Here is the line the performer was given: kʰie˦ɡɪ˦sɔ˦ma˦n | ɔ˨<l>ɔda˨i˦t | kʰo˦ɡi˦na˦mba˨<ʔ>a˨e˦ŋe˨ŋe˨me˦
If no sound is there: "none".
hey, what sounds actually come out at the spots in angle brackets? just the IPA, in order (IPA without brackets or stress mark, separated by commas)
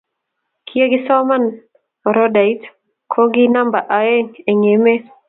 ɾ, ʔ